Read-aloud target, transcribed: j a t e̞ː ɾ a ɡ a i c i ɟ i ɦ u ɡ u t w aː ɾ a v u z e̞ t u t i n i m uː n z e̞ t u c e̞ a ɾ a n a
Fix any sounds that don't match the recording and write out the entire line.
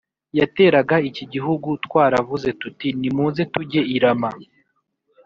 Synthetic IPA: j a t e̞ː ɾ a ɡ a i c i ɟ i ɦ u ɡ u t w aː ɾ a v u z e̞ t u t i n i m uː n z e̞ t u ɟ e̞ i ɾ a m a